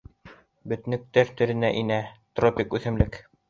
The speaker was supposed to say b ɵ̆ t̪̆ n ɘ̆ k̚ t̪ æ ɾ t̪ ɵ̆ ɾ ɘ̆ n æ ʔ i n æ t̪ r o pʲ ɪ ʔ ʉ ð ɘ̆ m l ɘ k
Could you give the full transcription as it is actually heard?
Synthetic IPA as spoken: b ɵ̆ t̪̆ n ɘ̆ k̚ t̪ æ ɾ t̪ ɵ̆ ɾ ɘ̆ n æ ʔ i n æ t̪ r o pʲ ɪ k ʉ θ ɘ̆ m l ɘ k